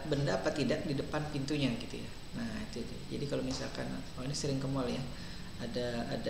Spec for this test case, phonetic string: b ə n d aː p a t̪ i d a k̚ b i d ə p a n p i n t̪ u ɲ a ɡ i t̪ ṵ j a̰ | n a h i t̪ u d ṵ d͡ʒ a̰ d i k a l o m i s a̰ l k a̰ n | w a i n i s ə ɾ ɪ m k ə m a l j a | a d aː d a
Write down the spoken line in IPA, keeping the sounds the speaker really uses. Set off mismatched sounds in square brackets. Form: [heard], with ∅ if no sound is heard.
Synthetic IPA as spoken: b ə n d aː p a t̪ i d a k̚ [d] i d ə p a n p i n t̪ u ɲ a ɡ i t̪ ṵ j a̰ | n a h i t̪ u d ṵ d͡ʒ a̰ d i k a l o m i s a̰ l k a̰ n | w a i n i s ə ɾ ɪ [ŋ] k ə m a l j a | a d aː d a